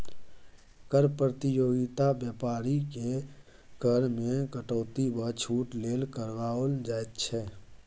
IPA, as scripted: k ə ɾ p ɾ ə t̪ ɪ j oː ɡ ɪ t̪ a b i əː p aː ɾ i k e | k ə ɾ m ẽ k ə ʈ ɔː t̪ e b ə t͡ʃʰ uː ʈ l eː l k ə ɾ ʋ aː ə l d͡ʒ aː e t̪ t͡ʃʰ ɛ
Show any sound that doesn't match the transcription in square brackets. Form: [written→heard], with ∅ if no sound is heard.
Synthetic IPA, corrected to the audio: k ə ɾ p ɾ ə t̪ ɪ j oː ɡ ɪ t̪ a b [i→j] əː p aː ɾ i k e | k ə ɾ m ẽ k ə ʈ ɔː t̪ [e→i] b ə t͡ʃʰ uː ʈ l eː l k ə ɾ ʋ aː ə l d͡ʒ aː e t̪ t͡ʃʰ ɛ